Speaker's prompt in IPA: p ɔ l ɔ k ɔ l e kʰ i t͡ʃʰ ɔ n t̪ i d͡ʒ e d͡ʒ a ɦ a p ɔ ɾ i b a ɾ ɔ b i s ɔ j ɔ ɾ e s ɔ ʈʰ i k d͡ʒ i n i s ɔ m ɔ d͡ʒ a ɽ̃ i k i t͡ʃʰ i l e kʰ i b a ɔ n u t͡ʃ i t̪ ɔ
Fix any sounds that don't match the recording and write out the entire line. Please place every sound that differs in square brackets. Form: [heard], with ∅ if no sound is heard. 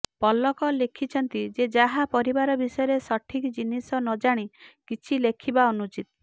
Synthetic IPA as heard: p ɔ l ɔ k ɔ l e kʰ i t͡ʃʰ ɔ n t̪ i d͡ʒ e d͡ʒ a ɦ a p ɔ ɾ i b a ɾ ɔ b i s ɔ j ɔ ɾ e s ɔ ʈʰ i k d͡ʒ i n i s ɔ [n] ɔ d͡ʒ a ɽ̃ i k i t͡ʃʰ i l e kʰ i b a ɔ n u t͡ʃ i t̪ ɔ